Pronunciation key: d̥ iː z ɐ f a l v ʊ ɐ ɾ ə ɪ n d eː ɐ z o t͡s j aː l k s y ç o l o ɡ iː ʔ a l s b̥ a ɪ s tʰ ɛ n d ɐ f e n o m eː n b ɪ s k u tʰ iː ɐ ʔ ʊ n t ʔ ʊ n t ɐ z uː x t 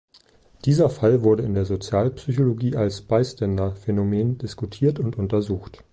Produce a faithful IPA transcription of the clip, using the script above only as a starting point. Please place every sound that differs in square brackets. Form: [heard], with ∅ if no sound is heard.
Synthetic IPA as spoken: d̥ iː z ɐ f a l v ʊ ɐ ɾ ə ɪ n d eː ɐ z o t͡s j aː l [p] s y ç o l o ɡ iː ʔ a l s b̥ a ɪ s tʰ ɛ n d ɐ f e n o m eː n [d] ɪ s k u tʰ iː ɐ [t] ʊ n t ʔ ʊ n t ɐ z uː x t

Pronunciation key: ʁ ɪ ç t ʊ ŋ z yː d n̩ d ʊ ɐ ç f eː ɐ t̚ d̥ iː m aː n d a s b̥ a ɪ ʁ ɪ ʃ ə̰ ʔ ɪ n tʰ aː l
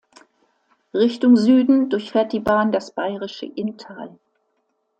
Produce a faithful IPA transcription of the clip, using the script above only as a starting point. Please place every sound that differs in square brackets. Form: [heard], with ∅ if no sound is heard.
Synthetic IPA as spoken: ʁ ɪ ç t ʊ ŋ z yː d n̩ d ʊ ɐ ç f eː ɐ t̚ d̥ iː [b] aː n d a s b̥ a ɪ ʁ ɪ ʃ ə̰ ʔ ɪ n tʰ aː l

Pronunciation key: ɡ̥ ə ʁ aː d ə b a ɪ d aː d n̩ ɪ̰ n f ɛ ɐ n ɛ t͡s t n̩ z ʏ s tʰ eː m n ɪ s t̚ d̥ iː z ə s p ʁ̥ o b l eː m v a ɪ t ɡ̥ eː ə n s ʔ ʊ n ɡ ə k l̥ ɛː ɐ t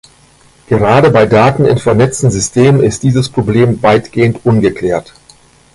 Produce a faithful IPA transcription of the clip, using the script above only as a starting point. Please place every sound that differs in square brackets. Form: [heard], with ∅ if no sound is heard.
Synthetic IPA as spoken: ɡ̥ ə ʁ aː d ə b a ɪ d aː [t] n̩ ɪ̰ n f ɛ ɐ n ɛ t͡s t n̩ z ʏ s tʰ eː m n ɪ s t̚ d̥ iː z ə s p ʁ̥ o b l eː m v a ɪ t ɡ̥ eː ə n [t] ʔ ʊ n ɡ ə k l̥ ɛː ɐ t

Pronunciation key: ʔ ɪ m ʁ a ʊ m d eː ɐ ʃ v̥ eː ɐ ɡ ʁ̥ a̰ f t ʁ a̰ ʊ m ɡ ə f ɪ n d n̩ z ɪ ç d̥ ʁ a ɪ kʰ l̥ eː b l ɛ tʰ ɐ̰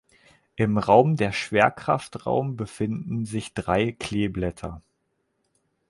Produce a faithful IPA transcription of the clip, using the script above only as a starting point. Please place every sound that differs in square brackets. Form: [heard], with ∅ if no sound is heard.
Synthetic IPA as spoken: ʔ ɪ m ʁ a ʊ m d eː ɐ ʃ v̥ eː ɐ [k] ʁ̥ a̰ f t ʁ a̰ ʊ m [b] ə f ɪ n d n̩ z ɪ ç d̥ ʁ a ɪ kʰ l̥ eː b l ɛ tʰ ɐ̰

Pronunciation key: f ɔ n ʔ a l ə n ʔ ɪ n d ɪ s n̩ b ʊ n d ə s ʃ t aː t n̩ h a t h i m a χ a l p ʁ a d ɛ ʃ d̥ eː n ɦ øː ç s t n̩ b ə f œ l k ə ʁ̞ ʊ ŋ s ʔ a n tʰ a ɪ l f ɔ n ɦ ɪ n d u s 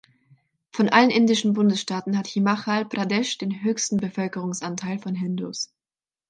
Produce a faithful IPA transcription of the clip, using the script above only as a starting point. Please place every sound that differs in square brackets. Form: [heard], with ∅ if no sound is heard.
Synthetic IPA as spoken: f ɔ n ʔ a l ə n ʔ ɪ n d ɪ [ʃ] n̩ b ʊ n d ə s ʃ t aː t n̩ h a t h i m a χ a l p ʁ a d ɛ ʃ d̥ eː n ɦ øː ç s t n̩ b ə f œ l k ə ʁ̞ ʊ ŋ s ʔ a n tʰ a ɪ l f ɔ n ɦ ɪ n d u s

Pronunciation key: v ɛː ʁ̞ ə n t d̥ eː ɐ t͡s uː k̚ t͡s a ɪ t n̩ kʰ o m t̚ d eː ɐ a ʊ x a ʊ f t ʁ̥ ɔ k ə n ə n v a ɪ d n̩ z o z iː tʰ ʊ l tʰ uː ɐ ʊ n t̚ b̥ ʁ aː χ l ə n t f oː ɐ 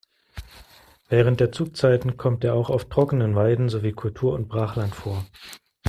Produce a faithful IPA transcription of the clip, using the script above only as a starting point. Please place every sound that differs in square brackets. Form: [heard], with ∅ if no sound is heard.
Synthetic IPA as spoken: v ɛː ʁ̞ ə n t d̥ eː ɐ t͡s uː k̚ t͡s a ɪ t n̩ kʰ [ɔ] m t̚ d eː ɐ a ʊ x a ʊ f t ʁ̥ ɔ k ə n ə n v a ɪ d n̩ z o [v] iː [kʰ] ʊ l tʰ uː ɐ ʊ n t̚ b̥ ʁ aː χ l [a] n t f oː ɐ

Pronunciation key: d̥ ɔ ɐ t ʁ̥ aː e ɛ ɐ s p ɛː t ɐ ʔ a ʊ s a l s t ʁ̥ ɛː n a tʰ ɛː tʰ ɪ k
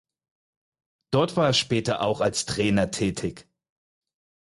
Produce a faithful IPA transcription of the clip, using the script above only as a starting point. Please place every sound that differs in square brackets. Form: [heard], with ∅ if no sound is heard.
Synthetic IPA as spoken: d̥ ɔ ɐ t [v̥] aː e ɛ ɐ [ʃ] p ɛː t ɐ ʔ a ʊ [x] a l s t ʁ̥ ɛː n [ɐ] tʰ ɛː tʰ ɪ k

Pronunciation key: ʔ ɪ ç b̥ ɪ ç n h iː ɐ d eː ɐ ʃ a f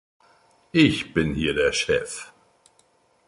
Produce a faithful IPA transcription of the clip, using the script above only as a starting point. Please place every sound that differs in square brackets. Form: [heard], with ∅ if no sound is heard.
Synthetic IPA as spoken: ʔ ɪ ç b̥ ɪ [∅] n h iː ɐ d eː ɐ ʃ [ɛ] f

